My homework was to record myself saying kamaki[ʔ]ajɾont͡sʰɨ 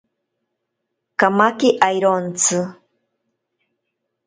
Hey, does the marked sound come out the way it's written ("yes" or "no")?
yes